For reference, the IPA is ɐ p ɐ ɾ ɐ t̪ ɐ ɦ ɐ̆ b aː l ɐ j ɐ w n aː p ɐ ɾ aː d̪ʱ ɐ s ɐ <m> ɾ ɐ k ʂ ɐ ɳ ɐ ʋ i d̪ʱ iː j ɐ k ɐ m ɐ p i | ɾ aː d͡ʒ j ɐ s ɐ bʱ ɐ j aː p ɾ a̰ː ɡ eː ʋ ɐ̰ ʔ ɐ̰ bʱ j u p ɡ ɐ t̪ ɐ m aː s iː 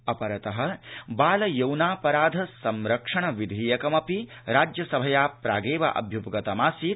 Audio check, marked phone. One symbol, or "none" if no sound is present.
m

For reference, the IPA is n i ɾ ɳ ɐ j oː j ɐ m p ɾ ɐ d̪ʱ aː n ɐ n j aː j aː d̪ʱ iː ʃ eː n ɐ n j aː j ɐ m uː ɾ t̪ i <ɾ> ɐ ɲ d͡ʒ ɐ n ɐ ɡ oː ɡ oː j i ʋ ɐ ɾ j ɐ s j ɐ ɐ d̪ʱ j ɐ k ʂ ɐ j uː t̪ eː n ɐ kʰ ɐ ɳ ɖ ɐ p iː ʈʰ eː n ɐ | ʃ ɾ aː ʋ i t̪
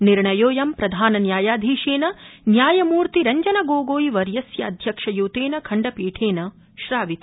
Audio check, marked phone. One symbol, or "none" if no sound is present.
ɾ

